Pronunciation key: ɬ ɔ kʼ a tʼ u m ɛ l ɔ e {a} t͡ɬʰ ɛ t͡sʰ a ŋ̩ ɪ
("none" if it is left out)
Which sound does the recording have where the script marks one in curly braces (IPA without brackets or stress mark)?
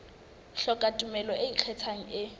i